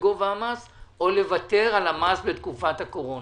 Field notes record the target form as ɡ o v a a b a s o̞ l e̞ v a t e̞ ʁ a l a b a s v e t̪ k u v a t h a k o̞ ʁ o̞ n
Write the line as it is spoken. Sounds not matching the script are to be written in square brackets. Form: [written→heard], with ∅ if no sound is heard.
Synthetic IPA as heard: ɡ o v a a [b→m] a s o̞ l e̞ v a t e̞ ʁ a l a [b→m] a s [v→b] e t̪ k u [v→f] a t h a k o̞ ʁ o̞ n

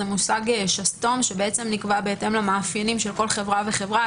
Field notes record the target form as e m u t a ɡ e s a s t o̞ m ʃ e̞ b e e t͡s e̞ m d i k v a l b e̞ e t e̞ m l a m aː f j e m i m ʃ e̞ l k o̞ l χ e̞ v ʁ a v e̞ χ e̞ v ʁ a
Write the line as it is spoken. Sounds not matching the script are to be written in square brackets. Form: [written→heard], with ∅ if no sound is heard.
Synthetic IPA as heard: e m u [t→s] a ɡ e [s→ʃ] a s t o̞ m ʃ e̞ b e e t͡s e̞ m [d→n] i k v a [l→∅] b e̞ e t e̞ m l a m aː f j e [m→n] i m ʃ e̞ l k o̞ l χ e̞ v ʁ a v e̞ χ e̞ v ʁ a

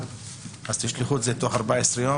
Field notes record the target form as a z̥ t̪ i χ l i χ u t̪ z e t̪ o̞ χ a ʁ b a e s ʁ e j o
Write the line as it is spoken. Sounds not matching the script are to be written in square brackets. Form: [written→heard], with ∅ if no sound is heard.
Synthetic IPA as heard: a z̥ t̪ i [χ→ʃ] l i χ u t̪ z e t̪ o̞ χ a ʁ b a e s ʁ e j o

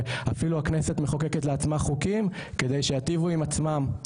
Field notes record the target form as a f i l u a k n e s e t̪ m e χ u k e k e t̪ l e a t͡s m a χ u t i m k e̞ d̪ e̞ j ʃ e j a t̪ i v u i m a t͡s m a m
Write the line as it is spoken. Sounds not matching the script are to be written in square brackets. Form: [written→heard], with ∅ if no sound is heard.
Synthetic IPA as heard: a f i l u a k n e s e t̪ m e χ [u→o] k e k e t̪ l e a t͡s m a χ u [t→k] i m k e̞ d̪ e̞ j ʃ e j a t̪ i v u i m a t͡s m a m

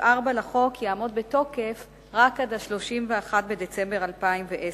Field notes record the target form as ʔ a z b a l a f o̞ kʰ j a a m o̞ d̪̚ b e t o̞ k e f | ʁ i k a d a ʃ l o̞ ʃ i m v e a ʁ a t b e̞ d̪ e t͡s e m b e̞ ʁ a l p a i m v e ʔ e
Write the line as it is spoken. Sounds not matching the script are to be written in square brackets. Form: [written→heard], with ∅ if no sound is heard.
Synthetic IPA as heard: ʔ a [z→ʁ] b a l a [f→χ] o̞ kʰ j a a m o̞ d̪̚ b e t o̞ k e f | ʁ [i→a] k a d a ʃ l o̞ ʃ i m v e a [ʁ→χ] a t b e̞ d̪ e t͡s e m b e̞ ʁ a l p a i m v e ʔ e

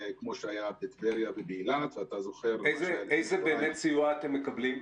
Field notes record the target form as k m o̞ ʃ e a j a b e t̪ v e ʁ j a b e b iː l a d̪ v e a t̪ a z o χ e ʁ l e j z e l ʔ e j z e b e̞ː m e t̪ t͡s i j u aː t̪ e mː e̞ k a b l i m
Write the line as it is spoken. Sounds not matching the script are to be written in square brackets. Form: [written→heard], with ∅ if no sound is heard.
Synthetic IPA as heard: k m o̞ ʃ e a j a b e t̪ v e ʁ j a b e b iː l a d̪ v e a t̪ a z o χ e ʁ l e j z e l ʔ e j z e b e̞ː m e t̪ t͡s i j u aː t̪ e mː e̞ k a b l i m

